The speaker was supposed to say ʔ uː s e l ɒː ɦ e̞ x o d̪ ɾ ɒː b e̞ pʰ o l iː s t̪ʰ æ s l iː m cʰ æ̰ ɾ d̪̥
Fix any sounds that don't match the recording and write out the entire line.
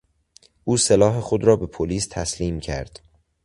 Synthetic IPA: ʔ uː s e l ɒː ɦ e̞ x o d̪ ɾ ɒː b e̞ pʰ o l iː s t̪ʰ æ s l iː m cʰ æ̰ ɾ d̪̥

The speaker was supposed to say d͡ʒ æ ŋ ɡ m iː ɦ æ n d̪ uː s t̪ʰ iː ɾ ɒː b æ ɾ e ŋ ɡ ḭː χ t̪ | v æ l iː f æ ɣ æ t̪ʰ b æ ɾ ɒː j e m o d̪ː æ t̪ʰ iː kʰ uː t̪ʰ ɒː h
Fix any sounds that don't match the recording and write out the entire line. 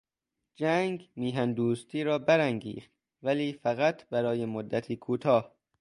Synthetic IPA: d͡ʒ æ ŋ ɡ m iː ɦ æ n d̪ uː s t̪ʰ iː ɾ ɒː b æ ɾ æ ŋ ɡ ḭː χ t̪ | v æ l iː f æ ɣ æ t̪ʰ b æ ɾ ɒː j e m o d̪ː æ t̪ʰ iː kʰ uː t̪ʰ ɒː h

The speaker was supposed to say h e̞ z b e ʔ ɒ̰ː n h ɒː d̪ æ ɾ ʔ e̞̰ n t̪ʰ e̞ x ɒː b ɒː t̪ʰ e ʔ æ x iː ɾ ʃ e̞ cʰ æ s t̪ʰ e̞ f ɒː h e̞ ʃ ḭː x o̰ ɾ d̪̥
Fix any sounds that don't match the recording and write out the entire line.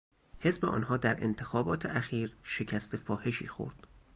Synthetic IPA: h e̞ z b e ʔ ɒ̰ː n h ɒː d̪ æ ɾ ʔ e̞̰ n t̪ʰ e̞ x ɒː b ɒː t̪ʰ e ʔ æ x iː ɾ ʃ e̞ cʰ æ s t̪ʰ e̞ f ɒː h e̞ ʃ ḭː x o̰ ɾ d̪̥

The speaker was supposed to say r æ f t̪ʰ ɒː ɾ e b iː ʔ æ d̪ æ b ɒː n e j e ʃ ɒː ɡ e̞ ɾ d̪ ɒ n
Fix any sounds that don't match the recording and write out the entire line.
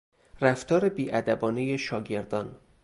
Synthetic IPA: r æ f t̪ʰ ɒː ɾ e b iː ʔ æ d̪ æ b ɒː n e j e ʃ ɒː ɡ e̞ ɾ d̪ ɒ n

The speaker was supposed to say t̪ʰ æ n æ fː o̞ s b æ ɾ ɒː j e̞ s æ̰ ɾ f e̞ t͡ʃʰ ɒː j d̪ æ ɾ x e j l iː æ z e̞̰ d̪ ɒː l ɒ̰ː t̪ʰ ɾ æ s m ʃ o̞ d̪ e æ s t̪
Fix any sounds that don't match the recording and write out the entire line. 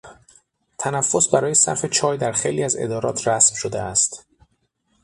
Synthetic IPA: t̪ʰ æ n æ fː o̞ s b æ ɾ ɒː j e̞ s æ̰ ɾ f e̞ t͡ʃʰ ɒː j d̪ æ ɾ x e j l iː æ z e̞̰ d̪ ɒː ɾ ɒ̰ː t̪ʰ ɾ æ s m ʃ o̞ d̪ e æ s t̪

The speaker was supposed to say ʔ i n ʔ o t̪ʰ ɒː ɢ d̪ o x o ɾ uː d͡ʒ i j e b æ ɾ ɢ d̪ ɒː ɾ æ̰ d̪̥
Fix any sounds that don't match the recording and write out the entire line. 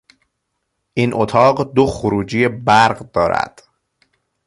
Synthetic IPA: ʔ i n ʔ o t̪ʰ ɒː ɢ d̪ o x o ɾ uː d͡ʒ i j e b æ ɾ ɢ d̪ ɒː ɾ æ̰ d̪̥

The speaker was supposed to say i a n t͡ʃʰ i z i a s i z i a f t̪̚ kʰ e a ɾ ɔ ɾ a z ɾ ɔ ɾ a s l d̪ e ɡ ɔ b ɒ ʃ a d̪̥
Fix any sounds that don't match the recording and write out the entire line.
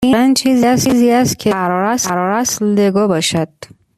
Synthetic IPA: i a n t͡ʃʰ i z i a s i z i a s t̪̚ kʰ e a ɾ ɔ ɾ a s ɾ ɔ ɾ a s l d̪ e ɡ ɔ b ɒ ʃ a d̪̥

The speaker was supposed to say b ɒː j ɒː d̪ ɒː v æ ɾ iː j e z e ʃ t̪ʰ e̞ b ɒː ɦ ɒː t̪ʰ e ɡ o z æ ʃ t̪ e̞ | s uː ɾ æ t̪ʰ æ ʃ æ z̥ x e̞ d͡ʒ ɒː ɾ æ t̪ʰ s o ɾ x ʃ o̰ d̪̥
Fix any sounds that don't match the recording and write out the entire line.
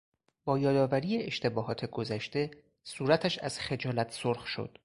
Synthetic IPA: b ɒː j ɒː d̪ ɒː v æ ɾ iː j e e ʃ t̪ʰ e̞ b ɒː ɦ ɒː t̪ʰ e ɡ o z æ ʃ t̪ e̞ | s uː ɾ æ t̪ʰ æ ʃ æ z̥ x e̞ d͡ʒ ɒː l æ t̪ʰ s o ɾ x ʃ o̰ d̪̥

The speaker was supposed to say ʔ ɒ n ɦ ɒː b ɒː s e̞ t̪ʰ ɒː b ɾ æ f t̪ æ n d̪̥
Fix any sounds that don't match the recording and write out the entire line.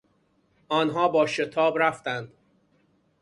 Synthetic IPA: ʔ ɒː n ɦ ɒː b ɒː ʃ e̞ t̪ʰ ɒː b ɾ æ f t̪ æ n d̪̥

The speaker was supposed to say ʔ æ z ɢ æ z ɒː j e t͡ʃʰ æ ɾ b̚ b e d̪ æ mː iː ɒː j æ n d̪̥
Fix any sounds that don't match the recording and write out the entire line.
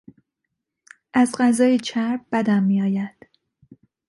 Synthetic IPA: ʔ æ z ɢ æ z ɒː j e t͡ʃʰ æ ɾ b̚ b æ d̪ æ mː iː ɒː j æ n d̪̥

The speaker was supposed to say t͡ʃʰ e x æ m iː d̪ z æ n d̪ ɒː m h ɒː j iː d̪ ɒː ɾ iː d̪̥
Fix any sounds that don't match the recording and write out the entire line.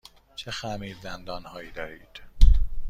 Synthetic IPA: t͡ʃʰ e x æ m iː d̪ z æ n d̪ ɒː n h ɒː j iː d̪ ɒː ɾ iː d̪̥

